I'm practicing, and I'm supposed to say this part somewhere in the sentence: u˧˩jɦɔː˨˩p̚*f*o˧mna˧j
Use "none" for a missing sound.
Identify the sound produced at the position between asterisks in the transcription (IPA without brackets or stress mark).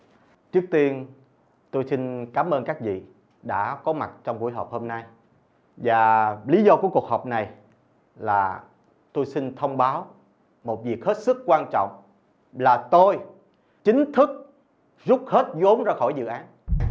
h